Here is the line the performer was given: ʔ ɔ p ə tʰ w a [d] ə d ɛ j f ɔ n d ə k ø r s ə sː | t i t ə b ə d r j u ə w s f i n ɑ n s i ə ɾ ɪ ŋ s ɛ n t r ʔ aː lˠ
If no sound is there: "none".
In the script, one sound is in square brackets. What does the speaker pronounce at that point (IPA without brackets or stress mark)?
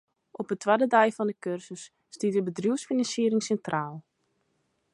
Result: d